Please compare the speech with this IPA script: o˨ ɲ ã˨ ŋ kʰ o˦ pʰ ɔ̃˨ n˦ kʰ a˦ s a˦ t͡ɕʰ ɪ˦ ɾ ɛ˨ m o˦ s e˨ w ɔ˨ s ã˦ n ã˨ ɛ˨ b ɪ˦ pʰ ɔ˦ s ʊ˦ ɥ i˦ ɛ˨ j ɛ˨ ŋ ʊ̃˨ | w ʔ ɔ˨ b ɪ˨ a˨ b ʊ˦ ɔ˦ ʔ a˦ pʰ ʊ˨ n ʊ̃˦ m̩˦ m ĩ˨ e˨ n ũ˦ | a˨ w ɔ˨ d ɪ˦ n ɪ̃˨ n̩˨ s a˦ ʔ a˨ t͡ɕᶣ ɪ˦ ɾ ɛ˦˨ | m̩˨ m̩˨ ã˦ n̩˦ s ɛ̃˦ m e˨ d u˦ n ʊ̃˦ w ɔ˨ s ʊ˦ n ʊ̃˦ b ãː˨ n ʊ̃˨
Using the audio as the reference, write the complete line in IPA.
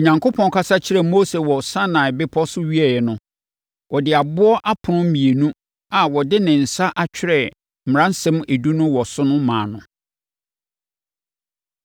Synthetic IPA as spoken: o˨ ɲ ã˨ ŋ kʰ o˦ pʰ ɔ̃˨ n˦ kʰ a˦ s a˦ t͡ɕʰ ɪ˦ ɾ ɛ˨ m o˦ s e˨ w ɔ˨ s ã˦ n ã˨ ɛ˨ b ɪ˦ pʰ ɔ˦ s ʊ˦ ɥ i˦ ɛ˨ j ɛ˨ n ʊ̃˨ | w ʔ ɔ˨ d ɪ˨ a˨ b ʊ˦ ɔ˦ ʔ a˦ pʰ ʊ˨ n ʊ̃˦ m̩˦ m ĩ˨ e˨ n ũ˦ | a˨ w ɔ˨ d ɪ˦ n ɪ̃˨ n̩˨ s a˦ ʔ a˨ t͡ɕᶣ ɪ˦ ɾ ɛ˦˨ | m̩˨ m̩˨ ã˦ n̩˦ s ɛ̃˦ m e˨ d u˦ n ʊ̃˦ w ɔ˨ s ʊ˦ n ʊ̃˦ m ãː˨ n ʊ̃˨